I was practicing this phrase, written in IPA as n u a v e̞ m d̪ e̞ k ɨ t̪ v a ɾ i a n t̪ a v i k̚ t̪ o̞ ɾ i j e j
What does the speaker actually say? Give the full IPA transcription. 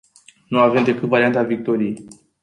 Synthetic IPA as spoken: n u a v e̞ m d̪ e̞ k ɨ t̪ v a ɾ i a n t̪ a v i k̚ t̪ o̞ ɾ i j e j